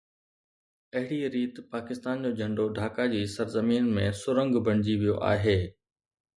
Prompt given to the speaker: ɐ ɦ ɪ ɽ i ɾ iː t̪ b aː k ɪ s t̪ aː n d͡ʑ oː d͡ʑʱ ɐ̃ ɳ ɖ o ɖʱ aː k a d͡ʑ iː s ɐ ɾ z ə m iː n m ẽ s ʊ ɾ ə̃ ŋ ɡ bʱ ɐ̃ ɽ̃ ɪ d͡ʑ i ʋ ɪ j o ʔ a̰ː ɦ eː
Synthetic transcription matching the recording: ɐ ɦ ɪ ɽ i ɾ iː t̪ p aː k ɪ s t̪ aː n d͡ʑ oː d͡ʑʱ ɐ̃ ɳ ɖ o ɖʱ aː k a d͡ʑ iː s ɐ ɾ z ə m iː n m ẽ s ʊ ɾ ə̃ ŋ ɡ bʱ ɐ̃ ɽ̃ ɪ d͡ʑ i ʋ i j o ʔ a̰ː ɦ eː